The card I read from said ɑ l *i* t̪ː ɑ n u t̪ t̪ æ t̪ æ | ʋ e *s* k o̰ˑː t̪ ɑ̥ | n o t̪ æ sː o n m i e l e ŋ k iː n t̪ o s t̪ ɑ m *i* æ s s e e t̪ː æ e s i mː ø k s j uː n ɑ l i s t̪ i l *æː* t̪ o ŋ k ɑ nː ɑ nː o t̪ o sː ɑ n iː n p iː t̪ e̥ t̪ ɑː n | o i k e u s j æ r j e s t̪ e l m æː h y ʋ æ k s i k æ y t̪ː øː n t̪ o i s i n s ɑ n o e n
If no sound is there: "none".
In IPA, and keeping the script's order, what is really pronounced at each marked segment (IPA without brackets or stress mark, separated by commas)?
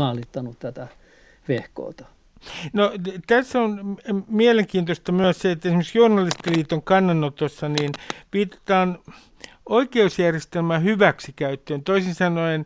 i, h, y, iː